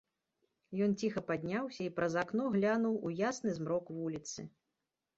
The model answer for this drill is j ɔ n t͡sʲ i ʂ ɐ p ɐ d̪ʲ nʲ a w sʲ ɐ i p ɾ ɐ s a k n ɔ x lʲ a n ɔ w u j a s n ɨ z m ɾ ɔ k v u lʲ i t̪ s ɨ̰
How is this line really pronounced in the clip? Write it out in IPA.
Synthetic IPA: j ɔ n t͡sʲ i x ɐ p a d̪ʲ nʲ a w sʲ ɐ i p ɾ ɐ z a k n ɔ ɣ lʲ a n u w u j a s n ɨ z m ɾ ɔ k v u lʲ i t̪ s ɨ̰